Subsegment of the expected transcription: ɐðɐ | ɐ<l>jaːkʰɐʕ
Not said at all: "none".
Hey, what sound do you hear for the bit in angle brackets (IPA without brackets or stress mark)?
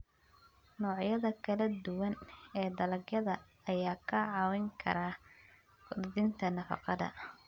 none